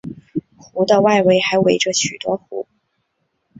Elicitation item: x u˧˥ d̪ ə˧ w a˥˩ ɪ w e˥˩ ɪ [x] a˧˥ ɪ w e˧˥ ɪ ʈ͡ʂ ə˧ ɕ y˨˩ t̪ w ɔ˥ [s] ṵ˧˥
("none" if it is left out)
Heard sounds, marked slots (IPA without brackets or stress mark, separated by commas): x, x